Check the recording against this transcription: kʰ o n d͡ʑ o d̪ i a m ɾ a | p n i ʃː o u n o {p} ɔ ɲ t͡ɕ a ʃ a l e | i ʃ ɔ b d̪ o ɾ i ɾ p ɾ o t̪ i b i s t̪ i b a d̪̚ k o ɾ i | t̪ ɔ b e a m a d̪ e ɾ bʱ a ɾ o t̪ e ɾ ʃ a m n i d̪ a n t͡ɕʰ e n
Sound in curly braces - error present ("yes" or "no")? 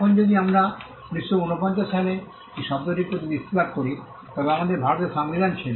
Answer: no